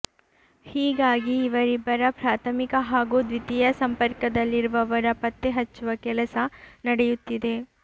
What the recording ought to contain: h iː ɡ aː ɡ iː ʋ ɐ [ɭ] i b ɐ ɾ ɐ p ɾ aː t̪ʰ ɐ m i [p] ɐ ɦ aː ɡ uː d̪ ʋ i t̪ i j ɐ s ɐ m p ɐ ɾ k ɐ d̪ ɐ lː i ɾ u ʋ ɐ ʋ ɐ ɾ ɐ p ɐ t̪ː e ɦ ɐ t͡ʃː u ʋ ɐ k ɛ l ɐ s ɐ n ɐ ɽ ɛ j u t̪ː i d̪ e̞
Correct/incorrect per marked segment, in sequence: incorrect: ɾ, incorrect: k

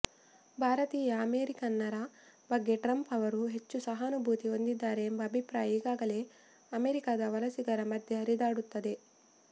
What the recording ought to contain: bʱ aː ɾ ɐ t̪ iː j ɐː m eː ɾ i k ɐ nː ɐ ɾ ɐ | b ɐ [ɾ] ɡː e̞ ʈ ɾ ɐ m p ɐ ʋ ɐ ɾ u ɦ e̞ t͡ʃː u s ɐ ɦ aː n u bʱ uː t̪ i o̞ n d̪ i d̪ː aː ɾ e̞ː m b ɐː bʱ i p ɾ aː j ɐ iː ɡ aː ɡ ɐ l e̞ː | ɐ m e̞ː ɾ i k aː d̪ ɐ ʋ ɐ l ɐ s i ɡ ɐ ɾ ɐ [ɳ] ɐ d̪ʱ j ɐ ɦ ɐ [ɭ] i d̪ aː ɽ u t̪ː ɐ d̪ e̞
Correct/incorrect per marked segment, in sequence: incorrect: none, incorrect: m, incorrect: ɾ

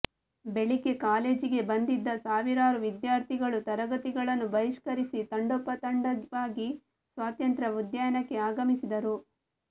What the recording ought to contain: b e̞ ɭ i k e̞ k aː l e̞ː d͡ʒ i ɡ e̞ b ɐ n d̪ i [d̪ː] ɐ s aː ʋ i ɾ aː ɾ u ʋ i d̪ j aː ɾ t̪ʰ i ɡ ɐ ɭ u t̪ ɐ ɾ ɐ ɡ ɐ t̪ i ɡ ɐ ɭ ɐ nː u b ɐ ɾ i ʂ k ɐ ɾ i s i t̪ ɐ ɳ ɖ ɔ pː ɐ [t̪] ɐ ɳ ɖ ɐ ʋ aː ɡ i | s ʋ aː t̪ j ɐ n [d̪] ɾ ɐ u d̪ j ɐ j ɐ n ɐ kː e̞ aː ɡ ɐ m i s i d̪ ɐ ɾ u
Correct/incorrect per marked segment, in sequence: correct, correct, incorrect: t̪

